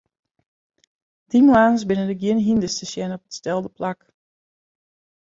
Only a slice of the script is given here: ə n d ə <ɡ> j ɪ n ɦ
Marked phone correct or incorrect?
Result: correct